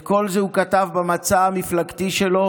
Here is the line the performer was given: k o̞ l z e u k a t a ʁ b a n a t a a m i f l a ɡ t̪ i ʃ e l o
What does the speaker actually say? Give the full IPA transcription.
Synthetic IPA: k o̞ l z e u k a t a v b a m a t͡s a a m i f l a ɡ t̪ i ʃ e l o